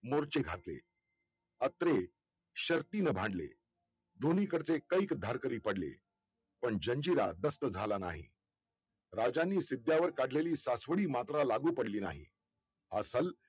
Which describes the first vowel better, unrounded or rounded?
rounded